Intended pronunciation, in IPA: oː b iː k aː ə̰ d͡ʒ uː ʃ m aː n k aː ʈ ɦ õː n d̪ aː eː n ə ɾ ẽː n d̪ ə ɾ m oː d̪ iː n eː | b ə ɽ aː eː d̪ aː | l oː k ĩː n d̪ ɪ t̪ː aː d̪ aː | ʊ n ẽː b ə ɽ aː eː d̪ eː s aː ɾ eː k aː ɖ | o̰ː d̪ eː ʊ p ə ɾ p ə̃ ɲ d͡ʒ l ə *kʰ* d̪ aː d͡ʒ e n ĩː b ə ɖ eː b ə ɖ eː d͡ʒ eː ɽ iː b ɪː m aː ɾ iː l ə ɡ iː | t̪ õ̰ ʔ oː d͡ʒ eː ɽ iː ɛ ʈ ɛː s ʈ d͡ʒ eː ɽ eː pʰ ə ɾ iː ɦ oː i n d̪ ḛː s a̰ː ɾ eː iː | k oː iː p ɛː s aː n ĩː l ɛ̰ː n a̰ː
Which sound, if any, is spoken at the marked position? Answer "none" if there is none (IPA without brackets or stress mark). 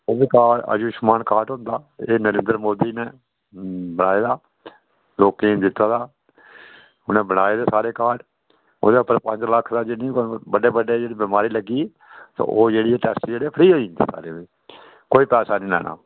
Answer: kʰ